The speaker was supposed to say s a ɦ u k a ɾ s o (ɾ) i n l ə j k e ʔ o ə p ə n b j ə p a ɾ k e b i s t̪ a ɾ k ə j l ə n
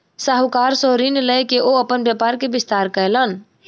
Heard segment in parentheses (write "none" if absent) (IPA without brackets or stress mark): ɾ